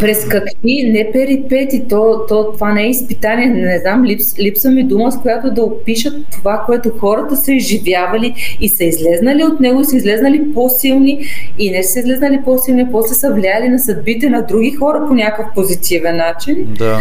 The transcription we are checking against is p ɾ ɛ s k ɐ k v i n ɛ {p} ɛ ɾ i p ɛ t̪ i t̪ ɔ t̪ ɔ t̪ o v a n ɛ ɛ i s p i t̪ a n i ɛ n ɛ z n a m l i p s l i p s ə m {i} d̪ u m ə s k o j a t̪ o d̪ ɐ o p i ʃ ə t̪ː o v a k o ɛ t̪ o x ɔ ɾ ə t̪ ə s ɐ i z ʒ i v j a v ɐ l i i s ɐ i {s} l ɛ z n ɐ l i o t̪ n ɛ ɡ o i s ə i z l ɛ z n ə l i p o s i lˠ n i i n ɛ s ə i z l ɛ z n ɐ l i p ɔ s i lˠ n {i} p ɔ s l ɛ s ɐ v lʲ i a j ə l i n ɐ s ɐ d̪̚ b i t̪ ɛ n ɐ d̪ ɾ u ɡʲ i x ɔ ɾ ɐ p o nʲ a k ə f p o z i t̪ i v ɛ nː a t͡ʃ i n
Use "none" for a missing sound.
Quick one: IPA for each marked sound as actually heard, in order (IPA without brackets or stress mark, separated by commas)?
p, i, z, i